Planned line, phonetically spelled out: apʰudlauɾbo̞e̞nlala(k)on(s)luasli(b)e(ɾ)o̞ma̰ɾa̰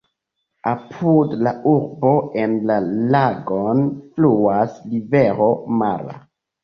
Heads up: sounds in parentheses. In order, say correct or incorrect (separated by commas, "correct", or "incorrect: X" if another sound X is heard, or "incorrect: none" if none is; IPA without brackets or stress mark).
incorrect: ɡ, incorrect: f, incorrect: v, correct